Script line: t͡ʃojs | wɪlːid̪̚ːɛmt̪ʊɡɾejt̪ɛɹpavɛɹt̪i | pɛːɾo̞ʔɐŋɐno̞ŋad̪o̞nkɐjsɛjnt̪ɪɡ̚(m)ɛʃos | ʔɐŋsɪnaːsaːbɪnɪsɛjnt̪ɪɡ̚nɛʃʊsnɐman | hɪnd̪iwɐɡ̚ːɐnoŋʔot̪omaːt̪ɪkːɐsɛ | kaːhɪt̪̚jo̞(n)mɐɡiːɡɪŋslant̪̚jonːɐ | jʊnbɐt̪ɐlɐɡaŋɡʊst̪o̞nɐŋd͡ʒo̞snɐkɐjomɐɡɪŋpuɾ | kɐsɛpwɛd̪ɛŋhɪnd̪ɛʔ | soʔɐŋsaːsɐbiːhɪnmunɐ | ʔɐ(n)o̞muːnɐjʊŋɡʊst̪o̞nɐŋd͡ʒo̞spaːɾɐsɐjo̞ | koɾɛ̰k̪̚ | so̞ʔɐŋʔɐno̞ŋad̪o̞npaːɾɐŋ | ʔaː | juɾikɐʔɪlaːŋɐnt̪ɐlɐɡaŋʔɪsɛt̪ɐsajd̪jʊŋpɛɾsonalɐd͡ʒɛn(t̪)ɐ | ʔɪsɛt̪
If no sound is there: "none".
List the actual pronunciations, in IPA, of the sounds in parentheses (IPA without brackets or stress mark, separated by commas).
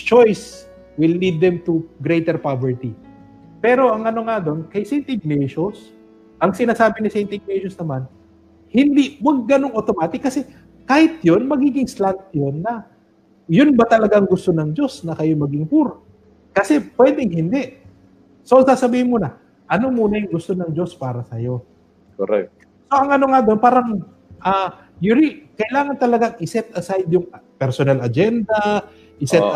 n, n, n, d̪